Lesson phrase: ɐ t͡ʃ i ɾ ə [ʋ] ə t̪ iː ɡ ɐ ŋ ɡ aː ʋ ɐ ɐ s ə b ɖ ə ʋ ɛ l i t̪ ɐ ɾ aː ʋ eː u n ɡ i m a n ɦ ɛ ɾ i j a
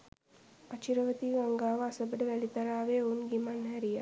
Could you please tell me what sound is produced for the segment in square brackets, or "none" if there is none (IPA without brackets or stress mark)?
ʋ